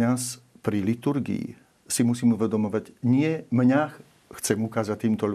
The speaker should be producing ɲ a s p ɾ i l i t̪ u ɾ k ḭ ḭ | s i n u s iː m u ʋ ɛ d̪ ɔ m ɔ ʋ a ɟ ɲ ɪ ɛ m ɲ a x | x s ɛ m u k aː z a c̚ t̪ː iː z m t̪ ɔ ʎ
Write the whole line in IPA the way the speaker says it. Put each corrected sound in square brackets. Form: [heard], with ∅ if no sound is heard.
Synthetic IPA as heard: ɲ a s p ɾ i l i t̪ u ɾ [ɡ] ḭ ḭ | s i [m] u s iː m u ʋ ɛ d̪ ɔ m ɔ ʋ a ɟ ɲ ɪ ɛ m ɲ a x | x [t͡s] ɛ m u k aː z a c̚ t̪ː iː [∅] m t̪ ɔ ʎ